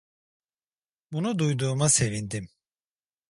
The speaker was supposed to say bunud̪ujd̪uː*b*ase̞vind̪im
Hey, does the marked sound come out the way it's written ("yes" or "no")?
no